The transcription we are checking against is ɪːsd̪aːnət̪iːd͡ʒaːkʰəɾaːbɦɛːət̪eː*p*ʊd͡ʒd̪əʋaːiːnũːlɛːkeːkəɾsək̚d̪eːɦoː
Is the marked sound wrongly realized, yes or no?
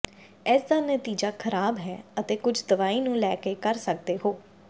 yes